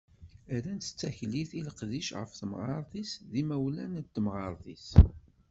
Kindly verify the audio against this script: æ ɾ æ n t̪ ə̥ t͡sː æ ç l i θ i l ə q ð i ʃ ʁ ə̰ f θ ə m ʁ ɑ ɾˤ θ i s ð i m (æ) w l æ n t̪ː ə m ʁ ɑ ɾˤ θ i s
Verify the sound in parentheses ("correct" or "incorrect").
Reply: correct